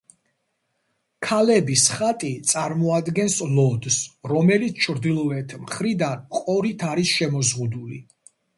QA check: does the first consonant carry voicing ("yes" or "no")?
no